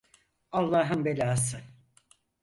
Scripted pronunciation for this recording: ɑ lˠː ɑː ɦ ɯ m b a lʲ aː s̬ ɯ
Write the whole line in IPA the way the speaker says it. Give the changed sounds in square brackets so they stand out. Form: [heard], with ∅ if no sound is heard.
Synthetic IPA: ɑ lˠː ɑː ɦ ɯ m b [e] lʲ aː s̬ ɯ